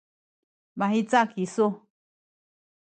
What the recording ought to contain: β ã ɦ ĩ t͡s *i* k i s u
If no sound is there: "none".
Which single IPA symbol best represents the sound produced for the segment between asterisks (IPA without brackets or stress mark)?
a